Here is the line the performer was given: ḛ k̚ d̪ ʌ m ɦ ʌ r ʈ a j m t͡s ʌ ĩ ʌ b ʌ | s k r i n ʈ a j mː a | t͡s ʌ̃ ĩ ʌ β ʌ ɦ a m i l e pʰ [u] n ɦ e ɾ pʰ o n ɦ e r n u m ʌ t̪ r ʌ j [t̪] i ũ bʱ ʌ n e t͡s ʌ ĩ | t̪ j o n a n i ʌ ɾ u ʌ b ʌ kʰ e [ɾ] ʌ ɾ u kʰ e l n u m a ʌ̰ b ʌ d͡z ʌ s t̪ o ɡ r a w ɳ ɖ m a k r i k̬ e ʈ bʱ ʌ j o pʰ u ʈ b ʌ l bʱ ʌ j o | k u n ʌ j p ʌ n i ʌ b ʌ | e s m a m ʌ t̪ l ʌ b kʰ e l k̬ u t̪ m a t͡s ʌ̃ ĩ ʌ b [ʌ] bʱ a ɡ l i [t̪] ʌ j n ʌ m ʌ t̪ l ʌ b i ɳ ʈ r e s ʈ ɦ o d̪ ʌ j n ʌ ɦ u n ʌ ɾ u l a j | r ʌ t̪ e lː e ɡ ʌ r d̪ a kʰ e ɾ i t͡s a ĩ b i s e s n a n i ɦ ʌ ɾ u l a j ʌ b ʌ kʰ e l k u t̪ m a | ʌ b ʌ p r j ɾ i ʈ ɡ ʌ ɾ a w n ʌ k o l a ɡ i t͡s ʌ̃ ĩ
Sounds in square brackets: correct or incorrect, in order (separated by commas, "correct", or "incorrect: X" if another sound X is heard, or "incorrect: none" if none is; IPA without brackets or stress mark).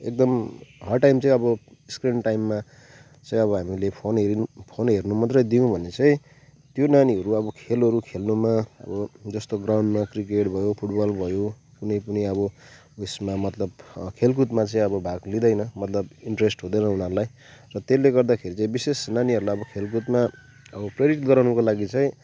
incorrect: o, incorrect: d̪, incorrect: l, correct, incorrect: d̪